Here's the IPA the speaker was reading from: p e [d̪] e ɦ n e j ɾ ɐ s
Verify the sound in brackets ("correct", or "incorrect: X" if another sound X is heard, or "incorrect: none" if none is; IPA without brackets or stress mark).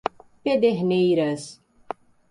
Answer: correct